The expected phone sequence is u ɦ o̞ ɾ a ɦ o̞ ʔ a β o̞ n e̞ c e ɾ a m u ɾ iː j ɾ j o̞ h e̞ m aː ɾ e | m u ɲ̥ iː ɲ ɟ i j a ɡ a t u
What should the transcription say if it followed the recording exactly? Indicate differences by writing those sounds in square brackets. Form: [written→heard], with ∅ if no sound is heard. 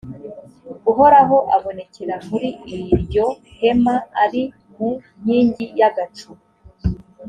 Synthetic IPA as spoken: u ɦ o̞ ɾ a ɦ o̞ ʔ a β o̞ n e̞ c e ɾ a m u ɾ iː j ɾ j o̞ h e̞ m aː ɾ [e→i] | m u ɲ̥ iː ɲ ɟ i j a ɡ a [t→t͡ʃ] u